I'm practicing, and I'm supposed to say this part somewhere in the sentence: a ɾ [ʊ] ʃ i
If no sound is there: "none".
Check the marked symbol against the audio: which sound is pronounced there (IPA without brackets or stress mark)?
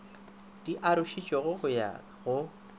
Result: ʊ